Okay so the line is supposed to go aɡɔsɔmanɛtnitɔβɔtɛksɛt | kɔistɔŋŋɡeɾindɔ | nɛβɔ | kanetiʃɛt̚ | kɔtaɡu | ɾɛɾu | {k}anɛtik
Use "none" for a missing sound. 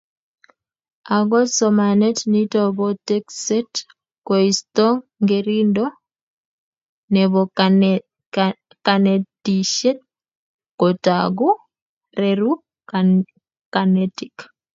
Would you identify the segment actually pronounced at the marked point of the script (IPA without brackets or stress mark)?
k